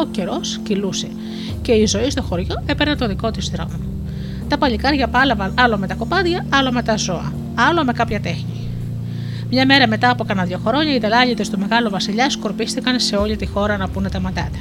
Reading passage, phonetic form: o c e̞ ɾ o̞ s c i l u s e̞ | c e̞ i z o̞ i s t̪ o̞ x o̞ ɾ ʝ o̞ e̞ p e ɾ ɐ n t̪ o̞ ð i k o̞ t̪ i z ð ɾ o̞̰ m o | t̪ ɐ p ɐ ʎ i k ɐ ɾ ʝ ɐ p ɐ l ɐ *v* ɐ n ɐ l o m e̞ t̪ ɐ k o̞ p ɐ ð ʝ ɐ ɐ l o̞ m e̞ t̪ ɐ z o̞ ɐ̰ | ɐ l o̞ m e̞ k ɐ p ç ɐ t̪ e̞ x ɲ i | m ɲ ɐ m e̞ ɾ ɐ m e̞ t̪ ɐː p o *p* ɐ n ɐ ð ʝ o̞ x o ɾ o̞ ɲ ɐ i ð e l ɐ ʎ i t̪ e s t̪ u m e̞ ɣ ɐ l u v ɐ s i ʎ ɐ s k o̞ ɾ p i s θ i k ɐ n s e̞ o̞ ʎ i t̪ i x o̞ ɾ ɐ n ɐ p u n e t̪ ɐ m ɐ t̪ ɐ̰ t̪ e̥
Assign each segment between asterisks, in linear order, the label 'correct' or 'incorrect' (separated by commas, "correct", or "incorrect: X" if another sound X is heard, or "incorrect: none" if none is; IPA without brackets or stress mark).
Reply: correct, incorrect: k